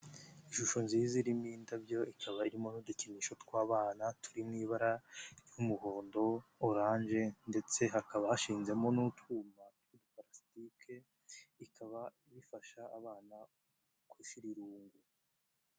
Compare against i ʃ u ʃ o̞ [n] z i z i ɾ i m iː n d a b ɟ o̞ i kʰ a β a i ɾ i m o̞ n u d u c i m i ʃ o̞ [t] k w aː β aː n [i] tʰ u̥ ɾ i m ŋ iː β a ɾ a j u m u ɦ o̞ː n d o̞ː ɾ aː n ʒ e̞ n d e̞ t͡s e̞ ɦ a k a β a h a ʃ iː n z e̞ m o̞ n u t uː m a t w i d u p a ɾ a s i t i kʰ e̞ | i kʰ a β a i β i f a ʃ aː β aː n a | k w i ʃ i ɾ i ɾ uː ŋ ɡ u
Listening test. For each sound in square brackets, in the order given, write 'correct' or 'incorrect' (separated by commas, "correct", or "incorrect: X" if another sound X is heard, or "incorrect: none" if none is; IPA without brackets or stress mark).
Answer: correct, correct, incorrect: a